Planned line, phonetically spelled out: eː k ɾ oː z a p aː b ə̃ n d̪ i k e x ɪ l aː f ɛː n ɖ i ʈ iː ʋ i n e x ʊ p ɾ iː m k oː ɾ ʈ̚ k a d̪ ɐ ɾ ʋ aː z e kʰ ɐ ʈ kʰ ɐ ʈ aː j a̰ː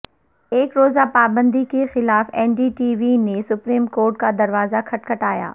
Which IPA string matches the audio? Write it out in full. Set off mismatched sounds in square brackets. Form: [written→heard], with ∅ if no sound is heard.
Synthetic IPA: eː k ɾ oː z a p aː b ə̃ n d̪ i k e x ɪ l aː f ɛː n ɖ i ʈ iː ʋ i n e [x→s] ʊ p ɾ iː m k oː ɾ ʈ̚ k a d̪ ɐ ɾ ʋ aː z [e→a] kʰ ɐ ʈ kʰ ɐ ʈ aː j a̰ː